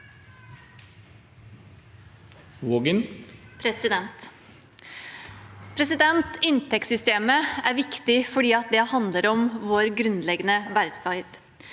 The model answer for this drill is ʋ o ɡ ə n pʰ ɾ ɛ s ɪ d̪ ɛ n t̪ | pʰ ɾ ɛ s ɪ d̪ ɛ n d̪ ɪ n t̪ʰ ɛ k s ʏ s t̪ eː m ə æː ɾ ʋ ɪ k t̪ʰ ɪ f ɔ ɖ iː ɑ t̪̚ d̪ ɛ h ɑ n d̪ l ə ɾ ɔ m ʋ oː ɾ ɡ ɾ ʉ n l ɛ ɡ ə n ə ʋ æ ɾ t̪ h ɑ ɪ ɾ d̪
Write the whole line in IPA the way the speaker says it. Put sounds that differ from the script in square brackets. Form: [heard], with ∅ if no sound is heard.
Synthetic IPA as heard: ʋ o ɡ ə n pʰ ɾ ɛ s ɪ d̪ ɛ n t̪ | pʰ ɾ ɛ s ɪ d̪ ɛ n [t̪] ɪ n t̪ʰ ɛ k s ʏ s t̪ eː m ə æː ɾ ʋ ɪ k [t̪] ɪ f ɔ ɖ iː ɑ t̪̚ d̪ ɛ h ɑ n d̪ l ə ɾ ɔ m ʋ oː ɾ ɡ ɾ ʉ n l ɛ ɡ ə n ə ʋ æ ɾ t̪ [f] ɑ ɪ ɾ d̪